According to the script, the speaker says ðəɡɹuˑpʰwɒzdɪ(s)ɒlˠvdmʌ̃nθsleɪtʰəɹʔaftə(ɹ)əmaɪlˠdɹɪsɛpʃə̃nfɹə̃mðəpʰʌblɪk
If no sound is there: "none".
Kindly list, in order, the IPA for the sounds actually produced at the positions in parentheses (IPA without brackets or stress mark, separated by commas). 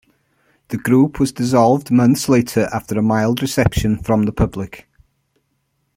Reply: z, ɹ